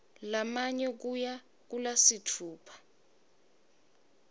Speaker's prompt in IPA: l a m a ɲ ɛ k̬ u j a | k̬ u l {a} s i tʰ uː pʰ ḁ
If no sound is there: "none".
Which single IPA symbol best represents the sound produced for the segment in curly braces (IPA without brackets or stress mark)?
a